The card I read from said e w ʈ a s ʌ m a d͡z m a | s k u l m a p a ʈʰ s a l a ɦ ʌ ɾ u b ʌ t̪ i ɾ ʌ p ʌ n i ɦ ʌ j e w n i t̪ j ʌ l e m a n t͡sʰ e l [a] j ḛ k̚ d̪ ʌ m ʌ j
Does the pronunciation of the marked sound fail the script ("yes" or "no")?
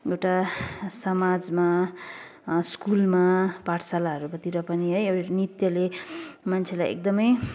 no